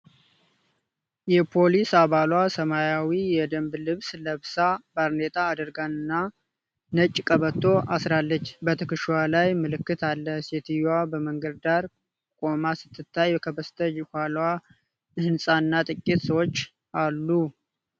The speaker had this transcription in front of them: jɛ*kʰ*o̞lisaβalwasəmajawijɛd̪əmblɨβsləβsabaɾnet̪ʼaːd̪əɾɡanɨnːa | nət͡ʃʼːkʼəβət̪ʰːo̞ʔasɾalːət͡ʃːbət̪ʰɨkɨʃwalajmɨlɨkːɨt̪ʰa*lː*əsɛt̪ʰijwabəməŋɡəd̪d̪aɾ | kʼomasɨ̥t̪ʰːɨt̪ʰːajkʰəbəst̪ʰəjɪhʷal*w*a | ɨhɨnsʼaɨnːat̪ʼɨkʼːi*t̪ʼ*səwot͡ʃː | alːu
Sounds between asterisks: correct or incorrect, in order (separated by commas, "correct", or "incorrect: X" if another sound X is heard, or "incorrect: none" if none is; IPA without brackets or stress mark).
incorrect: pʰ, correct, correct, incorrect: t̪